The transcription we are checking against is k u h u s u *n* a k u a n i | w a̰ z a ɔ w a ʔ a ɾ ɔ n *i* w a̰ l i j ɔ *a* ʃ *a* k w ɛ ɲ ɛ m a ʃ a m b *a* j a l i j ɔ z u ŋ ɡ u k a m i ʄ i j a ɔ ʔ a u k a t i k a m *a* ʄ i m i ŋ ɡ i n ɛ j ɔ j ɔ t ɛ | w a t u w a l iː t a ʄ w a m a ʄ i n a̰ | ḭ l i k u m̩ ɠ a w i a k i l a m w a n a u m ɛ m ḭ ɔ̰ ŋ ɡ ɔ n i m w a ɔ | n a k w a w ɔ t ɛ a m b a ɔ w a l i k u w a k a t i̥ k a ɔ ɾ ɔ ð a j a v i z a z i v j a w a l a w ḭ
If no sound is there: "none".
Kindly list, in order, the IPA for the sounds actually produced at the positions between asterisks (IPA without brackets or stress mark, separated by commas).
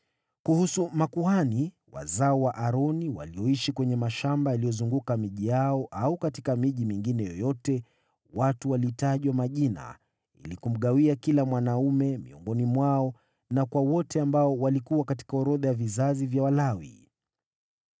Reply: m, i, i, i, a, i